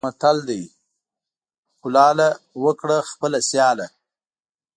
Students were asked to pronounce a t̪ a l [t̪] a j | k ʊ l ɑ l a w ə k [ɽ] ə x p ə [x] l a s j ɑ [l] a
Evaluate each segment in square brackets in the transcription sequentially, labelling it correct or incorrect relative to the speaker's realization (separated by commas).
incorrect, correct, incorrect, correct